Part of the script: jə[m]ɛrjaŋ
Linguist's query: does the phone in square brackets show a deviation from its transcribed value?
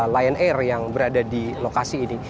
yes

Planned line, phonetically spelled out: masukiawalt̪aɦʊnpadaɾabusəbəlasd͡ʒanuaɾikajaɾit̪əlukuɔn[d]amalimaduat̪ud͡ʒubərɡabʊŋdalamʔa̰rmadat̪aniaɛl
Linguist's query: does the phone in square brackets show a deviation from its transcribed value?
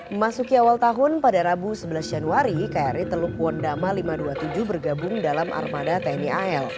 no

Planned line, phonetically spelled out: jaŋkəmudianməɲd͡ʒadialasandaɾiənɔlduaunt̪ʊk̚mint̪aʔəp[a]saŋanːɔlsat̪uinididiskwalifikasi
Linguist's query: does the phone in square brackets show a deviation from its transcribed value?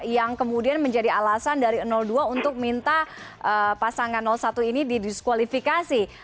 no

